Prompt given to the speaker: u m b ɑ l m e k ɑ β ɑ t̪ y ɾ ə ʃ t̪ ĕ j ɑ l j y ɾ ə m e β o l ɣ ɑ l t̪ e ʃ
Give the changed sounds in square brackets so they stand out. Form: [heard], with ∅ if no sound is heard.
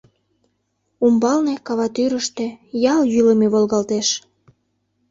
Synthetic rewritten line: u m b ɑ l [n] e k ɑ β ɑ t̪ y ɾ ə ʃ t̪ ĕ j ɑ l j y [l] ə m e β o l ɣ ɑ l t̪ e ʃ